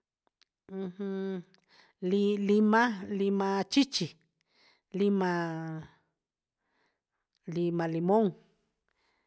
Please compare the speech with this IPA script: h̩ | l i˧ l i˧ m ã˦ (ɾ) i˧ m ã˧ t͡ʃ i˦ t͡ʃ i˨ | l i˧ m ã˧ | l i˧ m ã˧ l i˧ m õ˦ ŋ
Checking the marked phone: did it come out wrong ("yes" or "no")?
yes